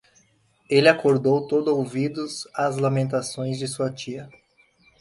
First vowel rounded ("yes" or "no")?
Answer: no